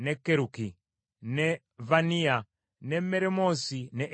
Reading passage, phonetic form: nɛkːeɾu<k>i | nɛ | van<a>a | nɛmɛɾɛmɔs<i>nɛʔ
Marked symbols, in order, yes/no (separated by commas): yes, no, yes